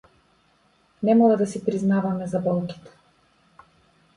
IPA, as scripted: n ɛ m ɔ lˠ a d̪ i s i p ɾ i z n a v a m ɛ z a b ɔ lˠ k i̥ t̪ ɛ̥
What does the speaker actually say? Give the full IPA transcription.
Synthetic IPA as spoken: n ɛ m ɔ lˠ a d̪ a s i p ɾ i z n a v a m ɛ z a b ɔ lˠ k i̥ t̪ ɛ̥